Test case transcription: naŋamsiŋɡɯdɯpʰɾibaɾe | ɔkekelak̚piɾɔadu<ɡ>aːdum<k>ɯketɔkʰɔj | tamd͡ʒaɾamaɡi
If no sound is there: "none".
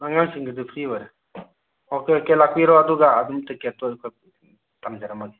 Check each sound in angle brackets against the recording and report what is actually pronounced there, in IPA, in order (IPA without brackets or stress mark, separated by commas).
ɡ, t